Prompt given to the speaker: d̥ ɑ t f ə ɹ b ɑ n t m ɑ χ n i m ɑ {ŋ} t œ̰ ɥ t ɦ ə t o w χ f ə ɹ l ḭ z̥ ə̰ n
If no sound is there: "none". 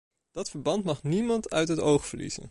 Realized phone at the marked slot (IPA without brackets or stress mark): n